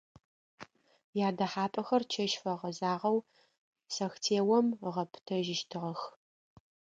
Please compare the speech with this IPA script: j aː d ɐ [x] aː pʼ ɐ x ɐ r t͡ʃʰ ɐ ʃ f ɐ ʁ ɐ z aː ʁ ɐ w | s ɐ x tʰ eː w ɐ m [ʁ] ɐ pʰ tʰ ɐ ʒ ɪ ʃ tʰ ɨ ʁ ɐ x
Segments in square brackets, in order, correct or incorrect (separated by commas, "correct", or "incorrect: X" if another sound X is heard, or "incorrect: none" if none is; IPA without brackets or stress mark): incorrect: ħ, correct